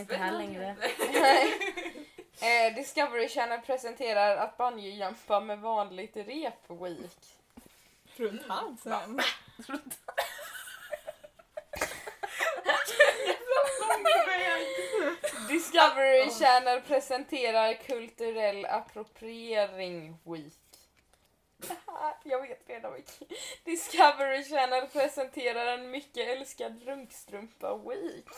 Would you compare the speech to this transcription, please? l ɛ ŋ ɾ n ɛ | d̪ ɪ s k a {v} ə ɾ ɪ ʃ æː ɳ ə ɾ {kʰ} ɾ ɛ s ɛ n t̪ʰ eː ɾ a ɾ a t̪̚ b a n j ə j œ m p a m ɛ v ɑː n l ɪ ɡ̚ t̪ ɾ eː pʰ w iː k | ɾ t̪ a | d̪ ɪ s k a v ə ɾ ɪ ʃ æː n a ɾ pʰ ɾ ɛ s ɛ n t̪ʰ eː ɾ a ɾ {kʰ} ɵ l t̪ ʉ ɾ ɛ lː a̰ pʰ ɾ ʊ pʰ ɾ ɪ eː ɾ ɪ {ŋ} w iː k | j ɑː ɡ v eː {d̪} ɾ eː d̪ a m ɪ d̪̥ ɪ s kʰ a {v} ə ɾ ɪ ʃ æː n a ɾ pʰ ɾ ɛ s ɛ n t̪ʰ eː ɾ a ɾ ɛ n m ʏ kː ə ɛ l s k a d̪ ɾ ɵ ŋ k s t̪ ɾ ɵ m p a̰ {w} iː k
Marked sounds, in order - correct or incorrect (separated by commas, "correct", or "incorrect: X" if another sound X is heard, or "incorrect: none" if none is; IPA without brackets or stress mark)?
correct, incorrect: pʰ, correct, correct, incorrect: t̪, correct, correct